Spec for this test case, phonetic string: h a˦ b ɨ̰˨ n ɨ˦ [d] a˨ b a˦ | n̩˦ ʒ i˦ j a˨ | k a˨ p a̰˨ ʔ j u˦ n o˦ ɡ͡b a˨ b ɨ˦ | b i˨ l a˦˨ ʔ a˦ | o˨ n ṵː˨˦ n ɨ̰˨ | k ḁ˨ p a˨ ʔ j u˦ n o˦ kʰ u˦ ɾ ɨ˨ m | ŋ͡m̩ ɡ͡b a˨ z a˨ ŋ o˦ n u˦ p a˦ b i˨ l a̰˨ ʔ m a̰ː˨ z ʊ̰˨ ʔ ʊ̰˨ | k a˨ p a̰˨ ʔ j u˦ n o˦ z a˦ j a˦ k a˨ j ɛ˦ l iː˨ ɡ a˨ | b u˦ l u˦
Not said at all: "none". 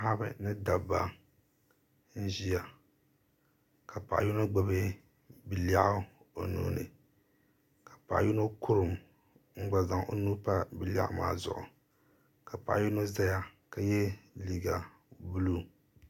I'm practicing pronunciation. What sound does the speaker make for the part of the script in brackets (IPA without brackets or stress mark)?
d